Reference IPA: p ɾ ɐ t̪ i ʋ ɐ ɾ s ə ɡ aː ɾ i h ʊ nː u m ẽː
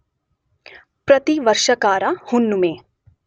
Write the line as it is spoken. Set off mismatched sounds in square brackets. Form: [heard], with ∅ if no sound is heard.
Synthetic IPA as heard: p ɾ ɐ t̪ i ʋ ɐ ɾ [ʃ] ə [k] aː ɾ [a] h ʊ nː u m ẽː